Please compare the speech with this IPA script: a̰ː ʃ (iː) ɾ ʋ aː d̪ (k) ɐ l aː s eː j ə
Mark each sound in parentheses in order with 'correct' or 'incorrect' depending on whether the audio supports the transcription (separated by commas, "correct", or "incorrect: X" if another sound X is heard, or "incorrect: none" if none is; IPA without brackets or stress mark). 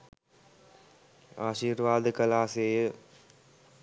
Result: correct, correct